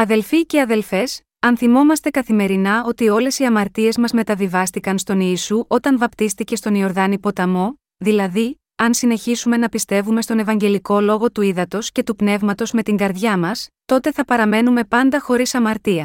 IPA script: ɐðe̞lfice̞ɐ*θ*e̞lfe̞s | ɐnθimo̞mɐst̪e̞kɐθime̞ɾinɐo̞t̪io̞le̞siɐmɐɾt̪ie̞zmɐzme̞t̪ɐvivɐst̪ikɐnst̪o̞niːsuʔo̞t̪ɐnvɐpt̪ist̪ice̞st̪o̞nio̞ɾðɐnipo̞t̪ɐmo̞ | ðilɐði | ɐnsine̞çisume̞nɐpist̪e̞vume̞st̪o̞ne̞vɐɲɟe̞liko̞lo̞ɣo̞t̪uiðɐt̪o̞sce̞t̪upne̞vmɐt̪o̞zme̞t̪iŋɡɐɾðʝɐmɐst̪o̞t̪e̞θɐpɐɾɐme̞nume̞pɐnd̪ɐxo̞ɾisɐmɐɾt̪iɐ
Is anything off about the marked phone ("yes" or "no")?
yes